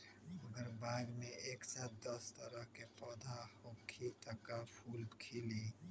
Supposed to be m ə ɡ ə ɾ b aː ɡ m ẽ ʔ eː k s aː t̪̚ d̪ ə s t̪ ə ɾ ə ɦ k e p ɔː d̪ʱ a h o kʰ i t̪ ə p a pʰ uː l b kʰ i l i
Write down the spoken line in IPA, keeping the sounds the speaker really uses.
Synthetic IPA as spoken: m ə ɡ ə ɾ b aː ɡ m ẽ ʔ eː k s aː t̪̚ d̪ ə s t̪ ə ɾ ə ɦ k e p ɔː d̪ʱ a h o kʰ i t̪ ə k a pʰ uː l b kʰ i l i